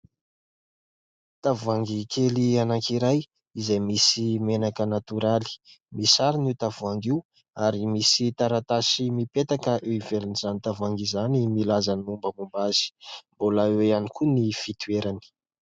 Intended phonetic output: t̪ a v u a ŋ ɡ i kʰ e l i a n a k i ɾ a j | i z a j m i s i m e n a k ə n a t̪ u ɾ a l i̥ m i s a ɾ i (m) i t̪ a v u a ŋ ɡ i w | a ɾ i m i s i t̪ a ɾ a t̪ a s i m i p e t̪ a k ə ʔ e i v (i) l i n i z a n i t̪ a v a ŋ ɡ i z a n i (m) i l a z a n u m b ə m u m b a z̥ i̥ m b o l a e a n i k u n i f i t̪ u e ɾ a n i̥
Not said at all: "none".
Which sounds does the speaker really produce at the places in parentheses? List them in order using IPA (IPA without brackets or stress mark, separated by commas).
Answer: n, e, m